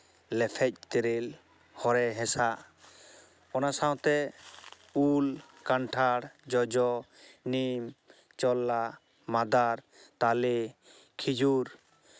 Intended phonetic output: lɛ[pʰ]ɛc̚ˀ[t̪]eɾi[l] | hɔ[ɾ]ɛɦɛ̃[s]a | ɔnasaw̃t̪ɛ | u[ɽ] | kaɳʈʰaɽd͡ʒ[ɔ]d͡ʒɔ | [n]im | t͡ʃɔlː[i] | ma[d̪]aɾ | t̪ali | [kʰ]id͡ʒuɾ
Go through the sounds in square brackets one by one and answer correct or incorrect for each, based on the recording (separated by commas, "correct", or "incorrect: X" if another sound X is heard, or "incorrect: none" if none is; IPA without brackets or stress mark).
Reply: correct, correct, correct, correct, correct, incorrect: l, correct, correct, incorrect: a, correct, correct